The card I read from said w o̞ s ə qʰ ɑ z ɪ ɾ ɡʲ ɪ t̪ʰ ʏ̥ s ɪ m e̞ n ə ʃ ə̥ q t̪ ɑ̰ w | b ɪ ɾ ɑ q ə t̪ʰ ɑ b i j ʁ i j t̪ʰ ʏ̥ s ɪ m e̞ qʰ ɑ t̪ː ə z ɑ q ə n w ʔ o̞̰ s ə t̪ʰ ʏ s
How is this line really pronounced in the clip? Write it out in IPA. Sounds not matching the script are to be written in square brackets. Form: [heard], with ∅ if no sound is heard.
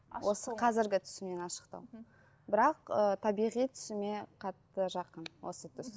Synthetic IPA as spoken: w o̞ s ə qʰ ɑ z ɪ ɾ ɡʲ ɪ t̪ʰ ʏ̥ s ɪ m e̞ n [ɑ] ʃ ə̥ q t̪ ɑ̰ w | b ɪ ɾ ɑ q ə t̪ʰ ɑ b i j ʁ i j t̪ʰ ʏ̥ s ɪ m e̞ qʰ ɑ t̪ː ə [ʒ] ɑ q ə n w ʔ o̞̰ s ə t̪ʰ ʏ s